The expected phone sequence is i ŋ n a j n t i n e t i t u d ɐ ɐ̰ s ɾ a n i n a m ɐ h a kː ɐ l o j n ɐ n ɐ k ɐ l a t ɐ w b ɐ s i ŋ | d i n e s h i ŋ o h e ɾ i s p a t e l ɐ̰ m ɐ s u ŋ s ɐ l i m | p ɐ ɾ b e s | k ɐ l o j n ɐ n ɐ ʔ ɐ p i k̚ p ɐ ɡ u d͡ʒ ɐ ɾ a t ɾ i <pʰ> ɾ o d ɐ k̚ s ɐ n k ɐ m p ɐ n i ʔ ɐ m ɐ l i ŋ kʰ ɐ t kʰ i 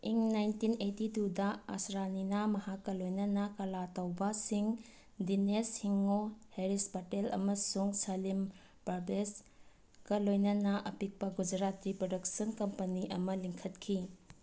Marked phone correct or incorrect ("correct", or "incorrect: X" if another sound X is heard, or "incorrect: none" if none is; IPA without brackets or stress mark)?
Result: incorrect: p